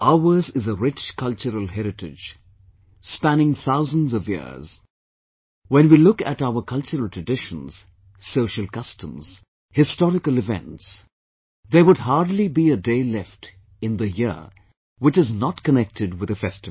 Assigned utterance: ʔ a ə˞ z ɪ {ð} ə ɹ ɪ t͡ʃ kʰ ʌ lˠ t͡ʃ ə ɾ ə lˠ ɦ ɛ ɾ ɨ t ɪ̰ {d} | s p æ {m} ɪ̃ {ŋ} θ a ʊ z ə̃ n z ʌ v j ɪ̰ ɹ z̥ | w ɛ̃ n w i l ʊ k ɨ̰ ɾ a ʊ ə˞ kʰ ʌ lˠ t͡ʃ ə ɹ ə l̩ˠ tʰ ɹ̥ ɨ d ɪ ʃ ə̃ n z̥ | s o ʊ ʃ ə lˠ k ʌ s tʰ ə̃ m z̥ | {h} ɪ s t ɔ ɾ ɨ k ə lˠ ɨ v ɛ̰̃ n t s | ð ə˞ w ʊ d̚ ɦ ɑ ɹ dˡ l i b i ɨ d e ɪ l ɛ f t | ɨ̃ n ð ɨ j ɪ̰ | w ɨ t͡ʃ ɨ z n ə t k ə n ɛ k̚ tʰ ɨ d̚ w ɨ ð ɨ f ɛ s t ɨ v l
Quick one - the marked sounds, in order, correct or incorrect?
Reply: incorrect, incorrect, incorrect, correct, correct

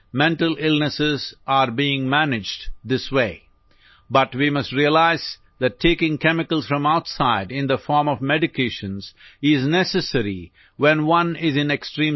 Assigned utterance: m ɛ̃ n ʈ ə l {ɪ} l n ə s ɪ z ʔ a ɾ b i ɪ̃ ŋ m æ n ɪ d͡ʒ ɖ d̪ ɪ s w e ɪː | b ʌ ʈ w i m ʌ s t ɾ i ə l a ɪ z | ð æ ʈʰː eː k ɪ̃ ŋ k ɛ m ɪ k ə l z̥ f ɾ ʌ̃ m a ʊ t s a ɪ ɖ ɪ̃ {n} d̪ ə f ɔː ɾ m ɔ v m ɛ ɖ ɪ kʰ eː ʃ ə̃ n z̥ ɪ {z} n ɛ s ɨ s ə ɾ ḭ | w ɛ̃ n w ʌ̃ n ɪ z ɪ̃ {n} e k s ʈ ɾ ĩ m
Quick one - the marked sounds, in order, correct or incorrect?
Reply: correct, correct, correct, correct

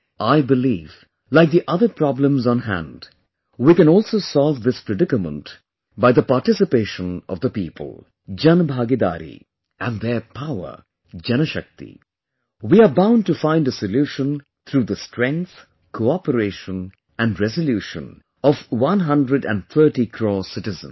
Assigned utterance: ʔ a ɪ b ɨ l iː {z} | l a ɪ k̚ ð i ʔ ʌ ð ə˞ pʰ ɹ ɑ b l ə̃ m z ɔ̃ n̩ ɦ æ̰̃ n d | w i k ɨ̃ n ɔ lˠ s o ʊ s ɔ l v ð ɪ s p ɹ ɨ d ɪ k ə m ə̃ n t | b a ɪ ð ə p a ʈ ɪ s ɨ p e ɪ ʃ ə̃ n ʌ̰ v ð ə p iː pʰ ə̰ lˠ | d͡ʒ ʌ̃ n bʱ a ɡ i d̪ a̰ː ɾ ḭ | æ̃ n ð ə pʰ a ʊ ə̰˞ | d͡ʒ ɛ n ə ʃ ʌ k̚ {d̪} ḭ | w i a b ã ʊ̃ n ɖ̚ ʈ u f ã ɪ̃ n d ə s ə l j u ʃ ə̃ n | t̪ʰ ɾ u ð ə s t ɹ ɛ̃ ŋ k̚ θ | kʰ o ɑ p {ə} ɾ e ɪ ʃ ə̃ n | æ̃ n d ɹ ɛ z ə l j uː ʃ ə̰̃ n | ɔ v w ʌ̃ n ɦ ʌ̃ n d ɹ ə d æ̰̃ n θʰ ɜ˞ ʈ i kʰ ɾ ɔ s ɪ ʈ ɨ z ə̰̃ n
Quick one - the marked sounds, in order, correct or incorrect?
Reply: incorrect, incorrect, correct

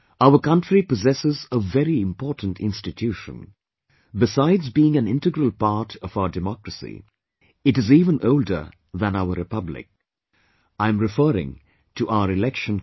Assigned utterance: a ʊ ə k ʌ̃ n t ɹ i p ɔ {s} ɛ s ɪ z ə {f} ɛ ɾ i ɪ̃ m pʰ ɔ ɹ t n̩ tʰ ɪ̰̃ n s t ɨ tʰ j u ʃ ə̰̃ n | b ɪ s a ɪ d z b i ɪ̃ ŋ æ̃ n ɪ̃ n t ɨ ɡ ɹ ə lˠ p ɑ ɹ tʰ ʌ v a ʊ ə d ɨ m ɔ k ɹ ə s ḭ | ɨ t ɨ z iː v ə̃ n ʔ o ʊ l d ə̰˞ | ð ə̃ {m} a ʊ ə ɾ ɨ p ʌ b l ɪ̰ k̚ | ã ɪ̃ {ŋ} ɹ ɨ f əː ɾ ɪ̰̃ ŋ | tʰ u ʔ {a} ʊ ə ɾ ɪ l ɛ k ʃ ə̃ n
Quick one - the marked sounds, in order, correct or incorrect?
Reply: incorrect, incorrect, incorrect, incorrect, correct

